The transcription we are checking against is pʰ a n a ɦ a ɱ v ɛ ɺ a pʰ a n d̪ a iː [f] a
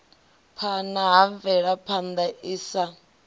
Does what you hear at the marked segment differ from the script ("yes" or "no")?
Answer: yes